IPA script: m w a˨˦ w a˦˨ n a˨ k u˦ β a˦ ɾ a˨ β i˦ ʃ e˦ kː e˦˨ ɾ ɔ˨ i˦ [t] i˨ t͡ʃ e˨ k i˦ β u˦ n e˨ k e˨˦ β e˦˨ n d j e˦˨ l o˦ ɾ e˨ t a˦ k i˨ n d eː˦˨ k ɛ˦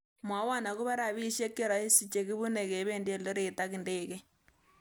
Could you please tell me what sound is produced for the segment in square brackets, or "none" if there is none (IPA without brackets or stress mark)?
s